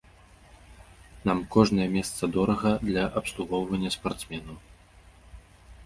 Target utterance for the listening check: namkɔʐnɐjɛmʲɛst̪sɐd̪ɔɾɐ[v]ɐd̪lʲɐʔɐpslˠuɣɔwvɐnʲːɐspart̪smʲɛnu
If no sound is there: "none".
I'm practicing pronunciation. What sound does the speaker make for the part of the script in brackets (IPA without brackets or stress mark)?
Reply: ɣ